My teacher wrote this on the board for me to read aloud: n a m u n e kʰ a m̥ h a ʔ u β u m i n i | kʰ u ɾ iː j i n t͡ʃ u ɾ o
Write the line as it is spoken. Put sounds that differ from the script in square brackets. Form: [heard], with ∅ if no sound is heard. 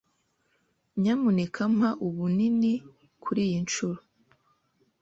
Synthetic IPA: [ɲ] a m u n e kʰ a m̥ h a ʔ u β u [n] i n i | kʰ u ɾ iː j i n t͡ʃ u ɾ o